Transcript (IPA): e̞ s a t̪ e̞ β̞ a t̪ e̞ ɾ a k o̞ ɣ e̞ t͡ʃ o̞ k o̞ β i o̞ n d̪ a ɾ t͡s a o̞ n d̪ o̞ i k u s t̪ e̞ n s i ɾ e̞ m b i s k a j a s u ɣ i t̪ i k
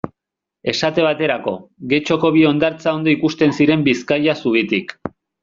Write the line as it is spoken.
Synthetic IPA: e̞ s a t̪ e̞ β̞ a t̪ e̞ ɾ a k o̞ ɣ e̞ t͡ʃ o̞ k o̞ β i o̞ n d̪ a ɾ t͡s a o̞ n d̪ o̞ i k u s t̪ e̞ n s i ɾ e̞ m b i s k a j a s u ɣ i t̪ i k